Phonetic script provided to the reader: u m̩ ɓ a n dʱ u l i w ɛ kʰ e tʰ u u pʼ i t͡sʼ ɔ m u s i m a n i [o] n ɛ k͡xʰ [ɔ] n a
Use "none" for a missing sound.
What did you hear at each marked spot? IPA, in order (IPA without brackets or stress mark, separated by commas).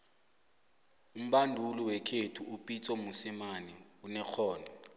u, ɔː